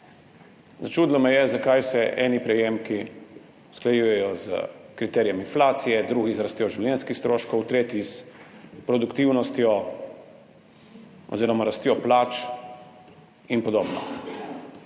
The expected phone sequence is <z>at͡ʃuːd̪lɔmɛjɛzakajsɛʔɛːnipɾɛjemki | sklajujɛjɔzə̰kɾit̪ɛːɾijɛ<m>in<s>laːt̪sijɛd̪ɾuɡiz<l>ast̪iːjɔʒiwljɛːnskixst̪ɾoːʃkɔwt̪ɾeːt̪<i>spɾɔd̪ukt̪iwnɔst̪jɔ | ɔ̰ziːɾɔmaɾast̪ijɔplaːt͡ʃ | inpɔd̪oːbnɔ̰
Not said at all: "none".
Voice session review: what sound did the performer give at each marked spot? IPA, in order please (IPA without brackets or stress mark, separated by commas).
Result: z, m, f, ɾ, i